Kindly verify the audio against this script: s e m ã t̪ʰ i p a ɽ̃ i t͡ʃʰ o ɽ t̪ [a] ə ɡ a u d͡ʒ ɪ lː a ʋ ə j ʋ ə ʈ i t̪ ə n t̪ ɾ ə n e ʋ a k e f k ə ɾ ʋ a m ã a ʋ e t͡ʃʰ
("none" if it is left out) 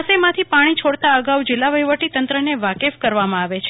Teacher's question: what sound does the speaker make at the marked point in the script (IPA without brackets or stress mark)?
a